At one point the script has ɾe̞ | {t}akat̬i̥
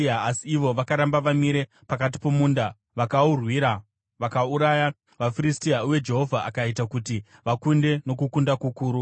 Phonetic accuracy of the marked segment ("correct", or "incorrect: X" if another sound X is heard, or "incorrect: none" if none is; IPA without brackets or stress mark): incorrect: p